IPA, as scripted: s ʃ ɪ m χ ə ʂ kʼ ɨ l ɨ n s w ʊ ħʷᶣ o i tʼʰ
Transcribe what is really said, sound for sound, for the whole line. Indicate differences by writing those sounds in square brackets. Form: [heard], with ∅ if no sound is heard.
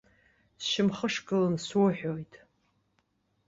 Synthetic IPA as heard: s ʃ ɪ m χ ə ʂ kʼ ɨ l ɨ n s w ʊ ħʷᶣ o [j] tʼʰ